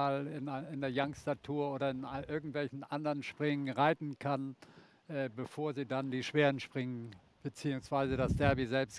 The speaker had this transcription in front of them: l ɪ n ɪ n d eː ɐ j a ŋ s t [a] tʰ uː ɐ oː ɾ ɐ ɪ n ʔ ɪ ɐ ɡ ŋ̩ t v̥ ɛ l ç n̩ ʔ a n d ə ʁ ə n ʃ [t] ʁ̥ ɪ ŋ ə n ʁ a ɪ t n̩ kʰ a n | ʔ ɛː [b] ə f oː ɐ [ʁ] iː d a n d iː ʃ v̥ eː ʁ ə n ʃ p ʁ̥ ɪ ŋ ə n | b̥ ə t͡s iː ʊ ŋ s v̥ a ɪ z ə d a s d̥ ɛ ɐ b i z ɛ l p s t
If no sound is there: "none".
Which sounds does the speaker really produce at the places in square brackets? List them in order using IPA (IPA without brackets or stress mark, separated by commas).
a, p, b, z